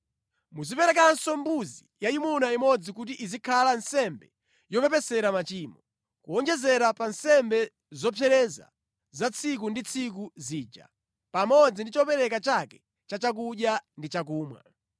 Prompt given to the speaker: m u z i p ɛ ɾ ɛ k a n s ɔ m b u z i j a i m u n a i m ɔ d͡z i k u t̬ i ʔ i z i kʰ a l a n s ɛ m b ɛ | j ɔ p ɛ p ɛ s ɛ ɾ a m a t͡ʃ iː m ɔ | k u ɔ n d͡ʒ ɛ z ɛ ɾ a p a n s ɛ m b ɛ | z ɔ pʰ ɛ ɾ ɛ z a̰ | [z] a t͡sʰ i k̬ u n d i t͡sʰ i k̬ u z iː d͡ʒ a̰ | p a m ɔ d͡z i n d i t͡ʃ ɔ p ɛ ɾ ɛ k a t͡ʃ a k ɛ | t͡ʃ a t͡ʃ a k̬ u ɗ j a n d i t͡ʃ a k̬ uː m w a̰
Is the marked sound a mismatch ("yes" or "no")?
no